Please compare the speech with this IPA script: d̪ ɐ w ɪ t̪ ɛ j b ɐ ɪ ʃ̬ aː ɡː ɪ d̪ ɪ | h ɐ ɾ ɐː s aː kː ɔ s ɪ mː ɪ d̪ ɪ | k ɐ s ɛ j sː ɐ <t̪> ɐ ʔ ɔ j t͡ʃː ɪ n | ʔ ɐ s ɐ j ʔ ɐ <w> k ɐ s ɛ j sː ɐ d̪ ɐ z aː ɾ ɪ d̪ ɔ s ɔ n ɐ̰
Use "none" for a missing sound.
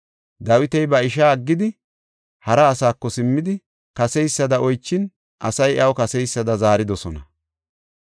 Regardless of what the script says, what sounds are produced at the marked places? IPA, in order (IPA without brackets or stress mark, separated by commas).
d̪, w